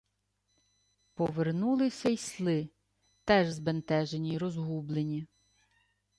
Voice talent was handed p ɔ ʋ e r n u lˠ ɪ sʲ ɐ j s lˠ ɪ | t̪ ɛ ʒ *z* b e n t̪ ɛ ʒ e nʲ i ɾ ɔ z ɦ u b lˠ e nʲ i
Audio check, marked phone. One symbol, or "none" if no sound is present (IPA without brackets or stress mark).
z